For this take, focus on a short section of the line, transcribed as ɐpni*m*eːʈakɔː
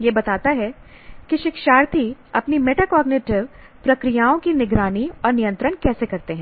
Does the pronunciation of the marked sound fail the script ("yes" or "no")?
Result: no